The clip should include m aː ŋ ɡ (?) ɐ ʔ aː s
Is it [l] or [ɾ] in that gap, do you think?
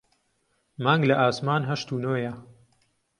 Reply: l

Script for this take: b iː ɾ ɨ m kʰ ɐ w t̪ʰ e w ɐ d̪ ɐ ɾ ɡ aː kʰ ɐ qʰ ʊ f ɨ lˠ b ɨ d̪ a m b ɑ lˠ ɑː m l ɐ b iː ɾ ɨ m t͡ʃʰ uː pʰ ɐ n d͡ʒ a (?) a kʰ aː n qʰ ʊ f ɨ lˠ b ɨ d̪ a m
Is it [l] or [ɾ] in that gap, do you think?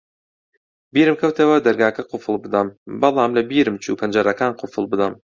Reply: ɾ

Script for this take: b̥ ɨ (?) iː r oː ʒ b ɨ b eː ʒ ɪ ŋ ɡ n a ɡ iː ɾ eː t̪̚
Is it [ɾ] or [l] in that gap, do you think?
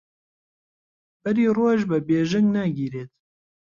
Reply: ɾ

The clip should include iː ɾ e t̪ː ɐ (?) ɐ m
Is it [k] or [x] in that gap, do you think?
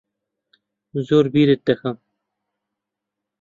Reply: x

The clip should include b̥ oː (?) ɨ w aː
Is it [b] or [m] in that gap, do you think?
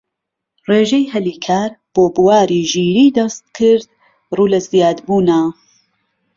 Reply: b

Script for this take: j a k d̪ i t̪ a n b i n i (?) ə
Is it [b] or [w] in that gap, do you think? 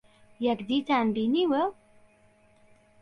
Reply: w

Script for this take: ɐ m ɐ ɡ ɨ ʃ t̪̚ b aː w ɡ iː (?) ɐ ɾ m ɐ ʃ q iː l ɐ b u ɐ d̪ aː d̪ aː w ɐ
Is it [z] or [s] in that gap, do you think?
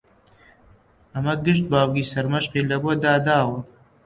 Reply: s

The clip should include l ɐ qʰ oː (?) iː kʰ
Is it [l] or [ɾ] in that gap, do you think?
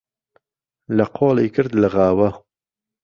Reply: l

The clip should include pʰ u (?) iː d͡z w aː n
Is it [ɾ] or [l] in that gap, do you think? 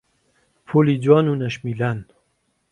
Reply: l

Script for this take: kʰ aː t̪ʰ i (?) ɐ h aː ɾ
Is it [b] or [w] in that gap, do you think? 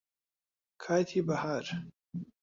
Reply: b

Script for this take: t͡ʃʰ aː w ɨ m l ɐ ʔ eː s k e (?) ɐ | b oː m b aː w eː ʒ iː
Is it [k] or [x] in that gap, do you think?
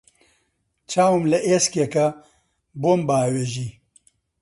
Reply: k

